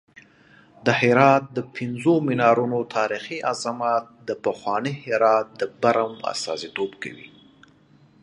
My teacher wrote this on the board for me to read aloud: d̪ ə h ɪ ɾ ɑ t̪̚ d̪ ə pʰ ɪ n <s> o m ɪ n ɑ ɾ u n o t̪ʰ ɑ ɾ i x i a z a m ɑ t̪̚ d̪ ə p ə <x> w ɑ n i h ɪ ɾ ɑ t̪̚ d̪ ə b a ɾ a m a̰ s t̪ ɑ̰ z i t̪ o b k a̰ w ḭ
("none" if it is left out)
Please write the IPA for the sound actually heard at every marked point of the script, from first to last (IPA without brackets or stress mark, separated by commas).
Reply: z, x